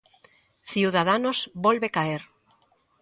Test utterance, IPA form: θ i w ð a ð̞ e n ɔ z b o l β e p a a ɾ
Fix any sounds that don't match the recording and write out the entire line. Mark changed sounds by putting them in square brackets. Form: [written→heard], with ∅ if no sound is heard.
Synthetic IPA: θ i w ð a ð̞ [e→a] n [ɔ→o] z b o l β e [p→k] a [a→e] ɾ